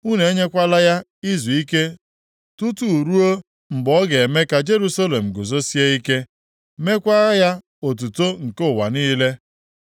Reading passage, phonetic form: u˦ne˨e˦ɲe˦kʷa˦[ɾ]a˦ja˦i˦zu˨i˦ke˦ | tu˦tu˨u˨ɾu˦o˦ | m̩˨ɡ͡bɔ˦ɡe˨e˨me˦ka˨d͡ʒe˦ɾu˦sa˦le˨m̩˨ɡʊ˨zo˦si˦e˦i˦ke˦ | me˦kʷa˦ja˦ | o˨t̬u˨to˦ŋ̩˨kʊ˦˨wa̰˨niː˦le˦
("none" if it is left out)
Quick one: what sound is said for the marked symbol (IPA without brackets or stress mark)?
l